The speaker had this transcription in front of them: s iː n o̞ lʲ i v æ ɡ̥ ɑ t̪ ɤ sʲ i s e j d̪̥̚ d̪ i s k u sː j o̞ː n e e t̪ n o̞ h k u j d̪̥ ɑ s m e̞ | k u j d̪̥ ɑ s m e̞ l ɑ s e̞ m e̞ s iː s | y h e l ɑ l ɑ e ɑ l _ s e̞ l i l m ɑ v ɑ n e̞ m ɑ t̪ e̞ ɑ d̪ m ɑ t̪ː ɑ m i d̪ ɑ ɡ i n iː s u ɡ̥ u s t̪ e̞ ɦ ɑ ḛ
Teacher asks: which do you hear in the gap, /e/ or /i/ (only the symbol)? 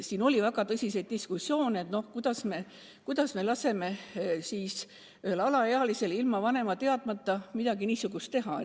i